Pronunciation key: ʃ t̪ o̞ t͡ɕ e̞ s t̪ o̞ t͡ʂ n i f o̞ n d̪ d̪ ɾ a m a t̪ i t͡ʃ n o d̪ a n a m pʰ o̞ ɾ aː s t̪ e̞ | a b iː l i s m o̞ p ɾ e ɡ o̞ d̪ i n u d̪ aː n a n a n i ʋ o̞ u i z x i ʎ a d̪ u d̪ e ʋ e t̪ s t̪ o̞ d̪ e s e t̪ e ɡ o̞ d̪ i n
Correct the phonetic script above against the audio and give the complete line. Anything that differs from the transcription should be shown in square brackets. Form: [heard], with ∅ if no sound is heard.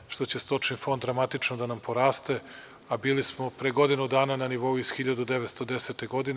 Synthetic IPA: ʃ t̪ o̞ t͡ɕ e̞ s t̪ o̞ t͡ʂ n i f o̞ n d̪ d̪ ɾ a m a t̪ i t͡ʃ n o d̪ a n a m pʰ o̞ ɾ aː s t̪ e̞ | a b iː l i s m o̞ p ɾ e ɡ o̞ d̪ i n u d̪ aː n a n a n i ʋ o̞ u i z x i ʎ a d̪ u d̪ e ʋ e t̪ s t̪ o̞ d̪ e s e t̪ e ɡ o̞ d̪ i n